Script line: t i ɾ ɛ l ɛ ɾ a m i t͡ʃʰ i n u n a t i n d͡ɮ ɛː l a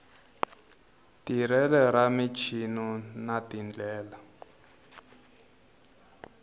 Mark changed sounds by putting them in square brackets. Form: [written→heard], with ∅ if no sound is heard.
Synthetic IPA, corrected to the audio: t i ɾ ɛ l ɛ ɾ a m i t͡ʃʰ i n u n a t i n d͡ɮ ɛː l a